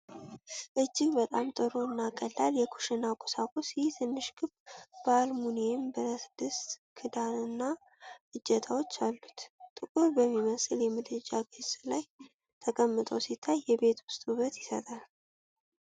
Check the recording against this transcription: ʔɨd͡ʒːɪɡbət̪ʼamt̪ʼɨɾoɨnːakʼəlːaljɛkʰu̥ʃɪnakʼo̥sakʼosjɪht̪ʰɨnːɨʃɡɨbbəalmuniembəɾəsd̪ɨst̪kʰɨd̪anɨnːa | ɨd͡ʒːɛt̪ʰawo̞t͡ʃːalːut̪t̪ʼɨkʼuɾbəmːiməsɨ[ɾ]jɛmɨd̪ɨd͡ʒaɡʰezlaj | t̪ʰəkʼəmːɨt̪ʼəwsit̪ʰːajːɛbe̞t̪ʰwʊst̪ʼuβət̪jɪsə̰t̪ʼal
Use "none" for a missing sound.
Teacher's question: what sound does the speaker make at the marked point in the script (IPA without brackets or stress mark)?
l